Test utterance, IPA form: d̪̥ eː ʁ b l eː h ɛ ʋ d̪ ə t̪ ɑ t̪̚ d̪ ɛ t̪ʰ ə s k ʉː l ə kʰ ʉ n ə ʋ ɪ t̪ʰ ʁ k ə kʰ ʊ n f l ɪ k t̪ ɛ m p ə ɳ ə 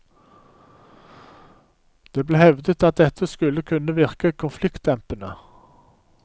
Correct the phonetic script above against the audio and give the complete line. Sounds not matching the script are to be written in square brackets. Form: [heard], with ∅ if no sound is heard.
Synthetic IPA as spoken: d̪̥ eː [∅] b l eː h ɛ ʋ d̪ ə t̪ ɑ t̪̚ d̪ ɛ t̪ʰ ə s k [ʉ] l ə kʰ ʉ n ə ʋ ɪ [∅] ʁ k ə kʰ ʊ n f l ɪ k t̪ ɛ m p ə [n] ə